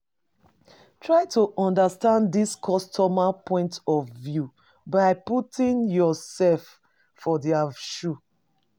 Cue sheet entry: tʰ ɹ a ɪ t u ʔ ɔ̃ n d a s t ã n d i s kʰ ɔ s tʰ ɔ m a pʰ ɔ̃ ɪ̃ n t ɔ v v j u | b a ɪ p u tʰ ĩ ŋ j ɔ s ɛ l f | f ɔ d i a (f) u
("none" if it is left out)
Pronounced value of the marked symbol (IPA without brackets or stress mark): ʃ